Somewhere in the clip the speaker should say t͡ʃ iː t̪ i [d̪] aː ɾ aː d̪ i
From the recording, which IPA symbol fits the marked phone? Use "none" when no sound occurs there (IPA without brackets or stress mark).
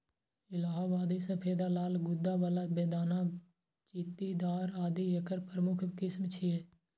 d̪